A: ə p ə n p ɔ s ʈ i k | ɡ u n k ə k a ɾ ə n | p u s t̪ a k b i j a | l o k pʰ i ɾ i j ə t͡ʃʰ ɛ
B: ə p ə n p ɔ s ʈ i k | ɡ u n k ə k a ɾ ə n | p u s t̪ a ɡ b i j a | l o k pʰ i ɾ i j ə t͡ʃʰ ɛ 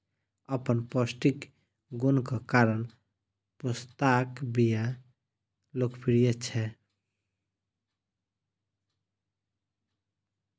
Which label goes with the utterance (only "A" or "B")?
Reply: A